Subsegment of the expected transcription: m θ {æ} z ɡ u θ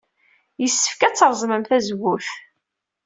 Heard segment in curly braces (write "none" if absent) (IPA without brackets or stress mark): æ